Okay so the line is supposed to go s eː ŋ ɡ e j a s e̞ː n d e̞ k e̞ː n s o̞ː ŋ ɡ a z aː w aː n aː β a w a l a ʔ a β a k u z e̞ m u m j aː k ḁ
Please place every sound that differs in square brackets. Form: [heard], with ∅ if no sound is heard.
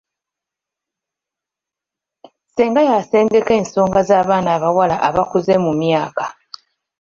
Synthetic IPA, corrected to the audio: s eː ŋ ɡ [a] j a s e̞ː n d e̞ k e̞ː n s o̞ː ŋ ɡ a z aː [β] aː n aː β a w a l a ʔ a β a k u z e̞ m u m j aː k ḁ